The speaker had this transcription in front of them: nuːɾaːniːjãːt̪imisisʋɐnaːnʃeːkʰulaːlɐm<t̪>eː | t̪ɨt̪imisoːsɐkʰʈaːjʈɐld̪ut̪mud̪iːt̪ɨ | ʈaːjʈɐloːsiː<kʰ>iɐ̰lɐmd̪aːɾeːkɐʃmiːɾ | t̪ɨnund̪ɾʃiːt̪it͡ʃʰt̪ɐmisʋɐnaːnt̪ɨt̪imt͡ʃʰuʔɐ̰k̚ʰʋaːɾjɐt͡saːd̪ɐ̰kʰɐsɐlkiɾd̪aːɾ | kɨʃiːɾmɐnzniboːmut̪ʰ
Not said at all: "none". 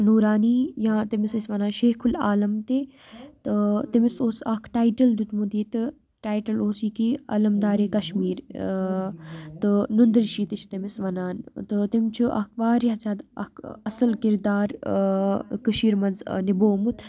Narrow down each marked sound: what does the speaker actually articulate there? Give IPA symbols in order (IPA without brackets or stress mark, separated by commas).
t̪, k